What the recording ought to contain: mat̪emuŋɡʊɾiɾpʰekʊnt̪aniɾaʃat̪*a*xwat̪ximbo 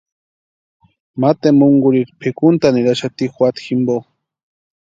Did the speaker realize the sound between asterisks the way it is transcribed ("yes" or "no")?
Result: no